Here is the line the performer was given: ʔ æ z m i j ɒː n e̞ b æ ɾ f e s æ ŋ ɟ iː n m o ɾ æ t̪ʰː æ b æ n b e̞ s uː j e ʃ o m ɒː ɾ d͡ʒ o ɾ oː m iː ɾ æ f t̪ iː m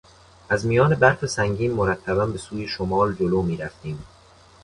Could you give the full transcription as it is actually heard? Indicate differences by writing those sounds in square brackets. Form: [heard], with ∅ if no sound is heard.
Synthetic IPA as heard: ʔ æ z m i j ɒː n e̞ b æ ɾ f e s æ ŋ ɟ iː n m o ɾ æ t̪ʰː æ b æ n b e̞ s uː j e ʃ o m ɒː [l] d͡ʒ o [l] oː m iː ɾ æ f t̪ iː m